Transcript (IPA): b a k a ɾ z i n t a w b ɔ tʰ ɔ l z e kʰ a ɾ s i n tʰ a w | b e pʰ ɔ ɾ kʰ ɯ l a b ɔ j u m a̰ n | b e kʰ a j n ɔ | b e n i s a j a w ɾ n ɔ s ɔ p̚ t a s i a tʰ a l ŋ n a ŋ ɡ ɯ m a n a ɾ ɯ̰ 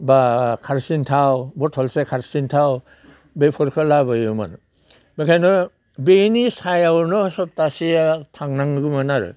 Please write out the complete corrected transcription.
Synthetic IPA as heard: b a kʰ a ɾ s i n tʰ a w b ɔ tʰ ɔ l s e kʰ a ɾ s i n tʰ a w | b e pʰ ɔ ɾ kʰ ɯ l a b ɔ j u m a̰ n | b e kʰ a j n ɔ | b e n i s a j a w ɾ n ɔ s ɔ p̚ t a s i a tʰ a ŋ n a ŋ ɡ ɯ m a n a ɾ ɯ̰

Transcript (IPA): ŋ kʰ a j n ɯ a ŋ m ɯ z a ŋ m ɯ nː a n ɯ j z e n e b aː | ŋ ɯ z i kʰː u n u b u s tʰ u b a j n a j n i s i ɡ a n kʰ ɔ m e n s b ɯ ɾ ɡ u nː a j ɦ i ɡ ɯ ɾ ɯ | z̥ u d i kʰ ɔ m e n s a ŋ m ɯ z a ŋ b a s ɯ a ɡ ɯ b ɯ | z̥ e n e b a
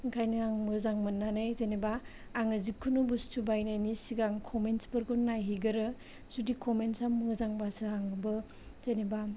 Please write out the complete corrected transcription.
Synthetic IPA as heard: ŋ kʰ a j n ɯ a ŋ m ɯ z a ŋ m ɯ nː a n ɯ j z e n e b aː | ŋ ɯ z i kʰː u n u b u s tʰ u b a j n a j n i s i ɡ a ŋ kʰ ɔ m e n s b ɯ ɾ ɡ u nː a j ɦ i ɡ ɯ ɾ ɯ | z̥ u d i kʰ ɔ m e n s a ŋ m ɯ z a ŋ b a s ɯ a ŋ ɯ b ɯ | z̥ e n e b a

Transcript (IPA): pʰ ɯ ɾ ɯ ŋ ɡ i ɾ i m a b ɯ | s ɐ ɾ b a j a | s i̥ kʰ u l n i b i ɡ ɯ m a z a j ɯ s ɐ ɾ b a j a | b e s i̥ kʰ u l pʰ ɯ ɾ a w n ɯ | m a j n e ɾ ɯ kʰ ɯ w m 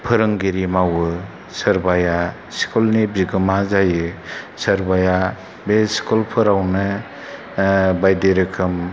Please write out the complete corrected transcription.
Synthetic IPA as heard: pʰ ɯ ɾ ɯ ŋ ɡ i ɾ i m a w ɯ | s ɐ ɾ b a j a | s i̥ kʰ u l n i b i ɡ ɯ m a z a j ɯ s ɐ ɾ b a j a | b e s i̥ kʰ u l pʰ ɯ ɾ a w n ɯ | b a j d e ɾ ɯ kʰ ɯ m

